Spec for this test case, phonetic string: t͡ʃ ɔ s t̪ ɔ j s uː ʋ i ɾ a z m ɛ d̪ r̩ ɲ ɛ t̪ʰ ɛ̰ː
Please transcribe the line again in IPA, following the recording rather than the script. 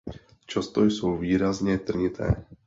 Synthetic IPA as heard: t͡ʃ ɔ s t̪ ɔ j s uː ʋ iː ɾ a z ɲ ɛ t̪ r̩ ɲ i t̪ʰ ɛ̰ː